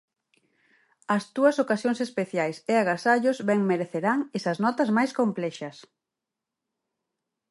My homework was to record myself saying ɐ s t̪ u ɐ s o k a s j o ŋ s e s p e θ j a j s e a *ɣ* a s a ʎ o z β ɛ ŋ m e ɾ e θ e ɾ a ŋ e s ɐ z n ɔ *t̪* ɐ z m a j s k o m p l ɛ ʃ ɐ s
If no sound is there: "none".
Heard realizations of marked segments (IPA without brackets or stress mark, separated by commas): ɣ, t̪